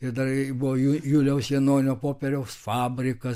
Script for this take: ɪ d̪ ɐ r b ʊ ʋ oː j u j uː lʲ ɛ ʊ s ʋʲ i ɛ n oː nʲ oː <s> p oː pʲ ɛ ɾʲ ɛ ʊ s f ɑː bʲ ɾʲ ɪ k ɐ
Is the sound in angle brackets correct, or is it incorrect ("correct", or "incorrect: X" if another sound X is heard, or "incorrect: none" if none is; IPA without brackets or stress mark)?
incorrect: none